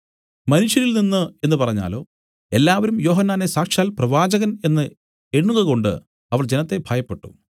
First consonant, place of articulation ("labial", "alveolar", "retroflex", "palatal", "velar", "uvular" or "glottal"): labial